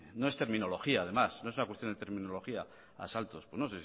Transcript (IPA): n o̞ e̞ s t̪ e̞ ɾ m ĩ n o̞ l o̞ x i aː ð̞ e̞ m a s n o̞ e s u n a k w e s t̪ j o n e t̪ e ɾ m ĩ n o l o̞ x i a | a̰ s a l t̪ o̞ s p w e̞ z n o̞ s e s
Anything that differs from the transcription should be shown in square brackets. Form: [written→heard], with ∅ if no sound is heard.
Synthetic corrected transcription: n o̞ e̞ s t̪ e̞ ɾ m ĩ n o̞ l o̞ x i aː ð̞ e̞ m a s n o̞ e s u n a k w e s t̪ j o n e t̪ e ɾ m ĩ n o l o̞ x i a | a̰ s a l t̪ o̞ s p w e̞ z n o̞ s e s